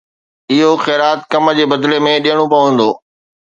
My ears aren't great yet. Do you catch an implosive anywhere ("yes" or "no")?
yes